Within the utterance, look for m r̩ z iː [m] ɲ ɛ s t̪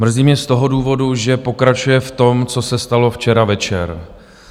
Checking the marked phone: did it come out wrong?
no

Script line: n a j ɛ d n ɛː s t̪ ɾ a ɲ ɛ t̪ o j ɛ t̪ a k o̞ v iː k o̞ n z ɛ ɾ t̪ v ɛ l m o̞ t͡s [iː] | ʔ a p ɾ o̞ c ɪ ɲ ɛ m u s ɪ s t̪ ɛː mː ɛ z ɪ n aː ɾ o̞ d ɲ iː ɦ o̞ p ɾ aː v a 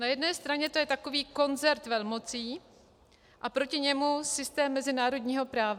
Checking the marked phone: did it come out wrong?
no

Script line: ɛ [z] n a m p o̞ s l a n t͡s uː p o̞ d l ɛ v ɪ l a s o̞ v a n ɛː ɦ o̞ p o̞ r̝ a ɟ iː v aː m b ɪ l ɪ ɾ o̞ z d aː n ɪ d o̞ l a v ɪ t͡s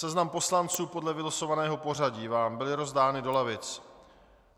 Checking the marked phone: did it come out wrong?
no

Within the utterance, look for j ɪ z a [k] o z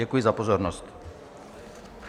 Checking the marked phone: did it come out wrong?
yes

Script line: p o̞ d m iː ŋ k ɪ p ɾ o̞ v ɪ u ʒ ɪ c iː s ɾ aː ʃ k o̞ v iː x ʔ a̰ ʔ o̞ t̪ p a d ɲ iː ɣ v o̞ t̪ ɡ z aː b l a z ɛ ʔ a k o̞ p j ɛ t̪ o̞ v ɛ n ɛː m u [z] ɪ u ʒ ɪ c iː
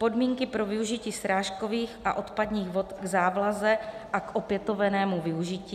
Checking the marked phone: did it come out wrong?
yes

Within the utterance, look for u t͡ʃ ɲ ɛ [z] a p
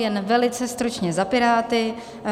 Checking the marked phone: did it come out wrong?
no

